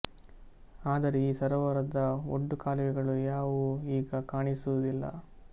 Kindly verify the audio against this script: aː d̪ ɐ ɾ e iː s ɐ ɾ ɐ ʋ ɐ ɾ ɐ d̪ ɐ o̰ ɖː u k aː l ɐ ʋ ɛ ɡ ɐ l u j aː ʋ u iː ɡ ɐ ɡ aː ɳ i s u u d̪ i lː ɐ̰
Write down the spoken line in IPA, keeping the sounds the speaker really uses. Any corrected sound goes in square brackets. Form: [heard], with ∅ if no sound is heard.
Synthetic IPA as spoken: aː d̪ ɐ ɾ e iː s ɐ ɾ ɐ ʋ ɐ ɾ ɐ d̪ ɐ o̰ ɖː u k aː l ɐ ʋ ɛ ɡ ɐ [ɭ] u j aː ʋ u iː ɡ ɐ [k] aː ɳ i s u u d̪ i lː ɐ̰